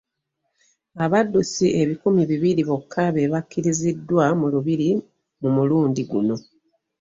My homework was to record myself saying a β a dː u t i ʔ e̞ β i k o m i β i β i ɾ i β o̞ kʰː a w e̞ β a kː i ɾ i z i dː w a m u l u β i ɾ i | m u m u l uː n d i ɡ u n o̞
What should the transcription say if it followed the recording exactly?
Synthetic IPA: a β a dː u s i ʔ e̞ β i k u m i β i β i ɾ i β o̞ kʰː a β e̞ β a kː i ɾ i z i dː w a m u l u β i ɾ i | m u m u l uː n d i ɡ u n o̞